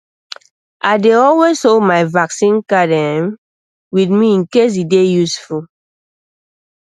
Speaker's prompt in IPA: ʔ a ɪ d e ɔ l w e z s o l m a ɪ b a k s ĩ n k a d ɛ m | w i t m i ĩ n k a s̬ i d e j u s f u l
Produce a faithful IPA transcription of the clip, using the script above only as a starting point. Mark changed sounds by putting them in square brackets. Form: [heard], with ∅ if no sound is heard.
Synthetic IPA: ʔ a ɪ d e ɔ l w e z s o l m a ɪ [v] a k s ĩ n k a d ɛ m | w i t m i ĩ n k [e] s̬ i d e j u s f u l